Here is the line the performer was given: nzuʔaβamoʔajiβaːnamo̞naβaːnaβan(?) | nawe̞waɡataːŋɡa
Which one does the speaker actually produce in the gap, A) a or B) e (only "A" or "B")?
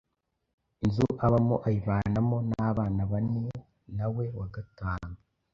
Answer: B